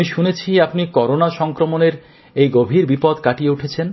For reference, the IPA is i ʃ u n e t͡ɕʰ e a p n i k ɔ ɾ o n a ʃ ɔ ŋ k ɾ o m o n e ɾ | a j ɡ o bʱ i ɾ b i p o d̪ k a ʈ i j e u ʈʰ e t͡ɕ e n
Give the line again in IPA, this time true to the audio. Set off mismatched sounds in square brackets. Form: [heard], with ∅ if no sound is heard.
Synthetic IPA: i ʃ u n e t͡ɕʰ [i] a p n i k ɔ ɾ o n a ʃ ɔ ŋ k ɾ o m o n e ɾ | [e] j ɡ o bʱ i ɾ b i p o d̪ k a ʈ i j e u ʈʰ e [t͡ɕʰ] e n